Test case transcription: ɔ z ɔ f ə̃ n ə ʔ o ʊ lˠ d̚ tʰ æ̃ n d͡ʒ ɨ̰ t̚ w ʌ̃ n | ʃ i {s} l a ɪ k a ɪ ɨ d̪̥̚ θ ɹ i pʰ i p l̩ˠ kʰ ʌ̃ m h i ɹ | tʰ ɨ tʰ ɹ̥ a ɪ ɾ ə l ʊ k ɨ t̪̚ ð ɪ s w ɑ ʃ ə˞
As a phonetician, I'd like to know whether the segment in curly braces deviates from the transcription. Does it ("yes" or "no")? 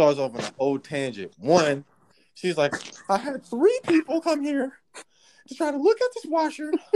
yes